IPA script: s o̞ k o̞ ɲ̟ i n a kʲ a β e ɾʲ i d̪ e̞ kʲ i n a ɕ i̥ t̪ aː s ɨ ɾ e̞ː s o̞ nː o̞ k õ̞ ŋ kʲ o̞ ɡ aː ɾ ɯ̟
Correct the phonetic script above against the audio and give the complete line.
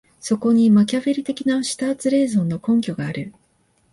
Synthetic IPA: s o̞ k o̞ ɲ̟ i m a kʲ a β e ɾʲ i t̪ e̞ kʲ i n a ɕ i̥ t̪ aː t͡s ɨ ɾ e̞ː z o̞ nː o̞ k õ̞ ŋ kʲ o̞ ɡ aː ɾ ɯ̟

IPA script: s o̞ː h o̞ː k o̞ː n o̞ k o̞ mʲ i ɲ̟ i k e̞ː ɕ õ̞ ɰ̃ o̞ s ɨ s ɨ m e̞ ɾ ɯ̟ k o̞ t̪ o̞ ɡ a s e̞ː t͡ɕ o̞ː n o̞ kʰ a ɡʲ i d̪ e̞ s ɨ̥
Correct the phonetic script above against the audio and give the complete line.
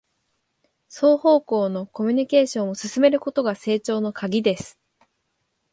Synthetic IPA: s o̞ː h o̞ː k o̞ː n o̞ k o̞ mʲ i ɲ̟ i k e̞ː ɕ õ̞ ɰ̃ o̞ s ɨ s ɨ m e̞ ɾ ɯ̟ k o̞ t̪ o̞ ɡ a s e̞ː t͡ɕ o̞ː n o̞ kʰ a ɡʲ i d̪ e̞ s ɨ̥

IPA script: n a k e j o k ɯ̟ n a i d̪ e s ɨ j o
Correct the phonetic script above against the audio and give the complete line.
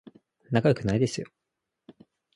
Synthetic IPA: n a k a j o k ɯ̟ n a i d̪ e s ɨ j o

